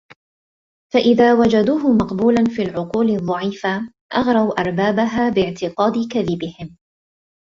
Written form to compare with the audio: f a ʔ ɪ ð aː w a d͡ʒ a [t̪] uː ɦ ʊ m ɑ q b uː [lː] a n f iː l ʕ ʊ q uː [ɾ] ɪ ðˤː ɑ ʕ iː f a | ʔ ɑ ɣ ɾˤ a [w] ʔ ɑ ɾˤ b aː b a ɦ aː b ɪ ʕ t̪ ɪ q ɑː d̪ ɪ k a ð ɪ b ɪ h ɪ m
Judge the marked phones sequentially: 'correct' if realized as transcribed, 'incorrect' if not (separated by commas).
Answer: incorrect, incorrect, incorrect, correct